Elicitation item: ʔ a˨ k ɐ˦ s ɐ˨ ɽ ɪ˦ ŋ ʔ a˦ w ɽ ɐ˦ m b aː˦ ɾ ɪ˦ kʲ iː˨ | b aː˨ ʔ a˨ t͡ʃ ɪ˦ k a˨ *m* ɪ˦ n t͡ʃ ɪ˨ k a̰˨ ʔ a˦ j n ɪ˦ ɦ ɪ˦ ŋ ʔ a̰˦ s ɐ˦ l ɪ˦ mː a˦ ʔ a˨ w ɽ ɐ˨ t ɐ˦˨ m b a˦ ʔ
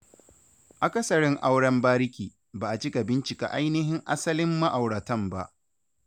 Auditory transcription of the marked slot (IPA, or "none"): b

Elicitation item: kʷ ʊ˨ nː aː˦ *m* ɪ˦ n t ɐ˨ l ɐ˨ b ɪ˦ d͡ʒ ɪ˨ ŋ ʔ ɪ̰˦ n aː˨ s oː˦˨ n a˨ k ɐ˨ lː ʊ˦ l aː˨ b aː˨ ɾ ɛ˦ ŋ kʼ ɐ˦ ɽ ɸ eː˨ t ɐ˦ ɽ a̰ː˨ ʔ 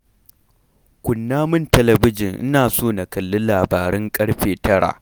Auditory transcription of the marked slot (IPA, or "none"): m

